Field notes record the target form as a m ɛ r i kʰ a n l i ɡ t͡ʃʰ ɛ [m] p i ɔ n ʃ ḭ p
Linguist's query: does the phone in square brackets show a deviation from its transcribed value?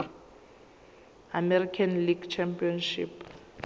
no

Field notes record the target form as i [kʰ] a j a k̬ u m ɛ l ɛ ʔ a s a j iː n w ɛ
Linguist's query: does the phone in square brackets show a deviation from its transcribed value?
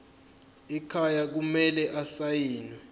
no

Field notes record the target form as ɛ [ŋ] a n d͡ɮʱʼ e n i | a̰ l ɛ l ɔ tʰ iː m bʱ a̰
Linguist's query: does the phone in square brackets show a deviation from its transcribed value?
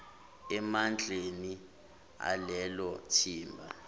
yes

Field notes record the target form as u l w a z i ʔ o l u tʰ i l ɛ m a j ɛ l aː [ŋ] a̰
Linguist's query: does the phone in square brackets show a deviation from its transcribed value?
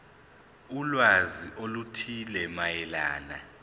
yes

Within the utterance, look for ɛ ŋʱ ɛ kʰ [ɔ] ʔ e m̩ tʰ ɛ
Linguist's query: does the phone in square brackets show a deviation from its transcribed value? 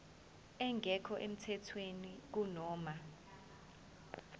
no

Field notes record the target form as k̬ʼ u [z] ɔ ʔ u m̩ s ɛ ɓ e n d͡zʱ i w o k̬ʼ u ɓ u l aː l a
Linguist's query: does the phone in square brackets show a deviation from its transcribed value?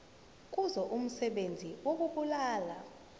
no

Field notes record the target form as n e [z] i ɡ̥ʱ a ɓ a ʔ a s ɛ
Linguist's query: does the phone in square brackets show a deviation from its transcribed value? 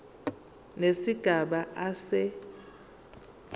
yes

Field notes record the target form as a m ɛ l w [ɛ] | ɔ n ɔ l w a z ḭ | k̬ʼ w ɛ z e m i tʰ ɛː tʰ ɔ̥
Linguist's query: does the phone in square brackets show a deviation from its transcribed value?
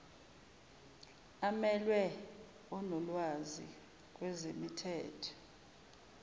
no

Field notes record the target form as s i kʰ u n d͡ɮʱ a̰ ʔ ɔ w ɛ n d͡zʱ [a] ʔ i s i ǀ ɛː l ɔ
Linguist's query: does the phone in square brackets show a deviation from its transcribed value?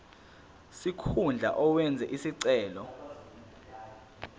yes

